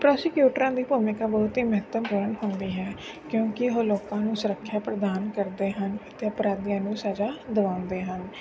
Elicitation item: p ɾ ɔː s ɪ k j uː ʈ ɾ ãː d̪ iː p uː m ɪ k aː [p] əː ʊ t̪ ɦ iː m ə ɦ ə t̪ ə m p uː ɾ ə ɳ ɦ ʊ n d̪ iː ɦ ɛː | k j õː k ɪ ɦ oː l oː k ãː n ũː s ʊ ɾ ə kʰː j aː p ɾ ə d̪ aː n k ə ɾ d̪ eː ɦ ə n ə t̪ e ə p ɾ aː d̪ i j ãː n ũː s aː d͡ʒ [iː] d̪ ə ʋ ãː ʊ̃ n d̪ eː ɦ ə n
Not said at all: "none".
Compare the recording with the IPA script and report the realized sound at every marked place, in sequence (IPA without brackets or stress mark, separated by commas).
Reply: b, aː